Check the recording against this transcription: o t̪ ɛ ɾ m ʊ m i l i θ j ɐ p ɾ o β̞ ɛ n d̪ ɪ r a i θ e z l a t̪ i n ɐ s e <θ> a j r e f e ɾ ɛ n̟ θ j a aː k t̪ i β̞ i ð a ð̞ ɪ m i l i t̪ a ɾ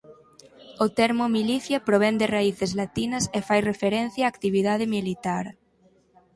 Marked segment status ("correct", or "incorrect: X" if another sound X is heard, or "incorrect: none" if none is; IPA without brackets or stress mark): incorrect: f